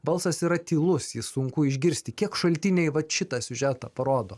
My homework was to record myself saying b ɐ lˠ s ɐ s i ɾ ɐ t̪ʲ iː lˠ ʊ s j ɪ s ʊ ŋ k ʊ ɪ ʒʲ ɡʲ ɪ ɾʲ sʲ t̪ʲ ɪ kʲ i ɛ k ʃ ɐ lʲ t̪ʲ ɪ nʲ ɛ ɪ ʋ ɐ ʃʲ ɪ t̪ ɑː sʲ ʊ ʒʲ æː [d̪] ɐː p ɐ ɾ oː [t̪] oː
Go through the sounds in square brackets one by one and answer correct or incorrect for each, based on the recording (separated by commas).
incorrect, incorrect